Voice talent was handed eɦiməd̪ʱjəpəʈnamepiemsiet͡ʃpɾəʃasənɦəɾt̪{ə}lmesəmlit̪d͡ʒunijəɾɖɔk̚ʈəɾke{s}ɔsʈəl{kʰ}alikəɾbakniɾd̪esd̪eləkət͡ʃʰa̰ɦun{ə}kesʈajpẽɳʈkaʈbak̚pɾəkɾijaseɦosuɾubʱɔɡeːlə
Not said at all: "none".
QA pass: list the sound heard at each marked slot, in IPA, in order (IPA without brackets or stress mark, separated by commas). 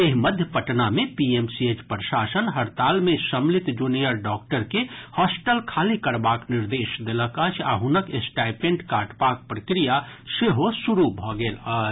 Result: a, h, kʰ, ə